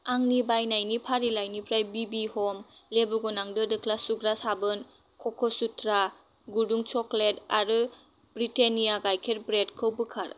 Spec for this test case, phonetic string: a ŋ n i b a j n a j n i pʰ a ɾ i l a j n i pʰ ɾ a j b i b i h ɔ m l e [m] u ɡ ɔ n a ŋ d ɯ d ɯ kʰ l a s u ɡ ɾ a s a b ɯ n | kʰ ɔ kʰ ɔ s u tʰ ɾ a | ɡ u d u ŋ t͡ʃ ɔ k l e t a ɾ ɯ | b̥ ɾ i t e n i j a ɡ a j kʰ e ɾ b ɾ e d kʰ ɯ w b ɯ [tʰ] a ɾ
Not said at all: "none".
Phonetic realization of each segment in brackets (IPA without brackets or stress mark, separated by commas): b, kʰ